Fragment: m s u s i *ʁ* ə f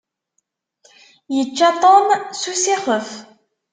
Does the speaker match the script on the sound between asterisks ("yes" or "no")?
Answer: no